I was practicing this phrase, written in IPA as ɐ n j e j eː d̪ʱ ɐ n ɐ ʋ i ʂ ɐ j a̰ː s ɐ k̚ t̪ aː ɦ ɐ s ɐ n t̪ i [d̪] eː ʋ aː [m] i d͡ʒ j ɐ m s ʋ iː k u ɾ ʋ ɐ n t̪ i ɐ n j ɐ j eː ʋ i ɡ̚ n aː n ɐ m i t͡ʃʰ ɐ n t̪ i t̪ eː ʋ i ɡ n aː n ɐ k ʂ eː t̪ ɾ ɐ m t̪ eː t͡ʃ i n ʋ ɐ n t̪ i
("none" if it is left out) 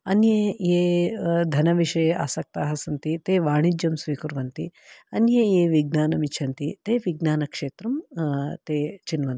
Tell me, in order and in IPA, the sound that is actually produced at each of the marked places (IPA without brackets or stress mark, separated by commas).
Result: t̪, ɳ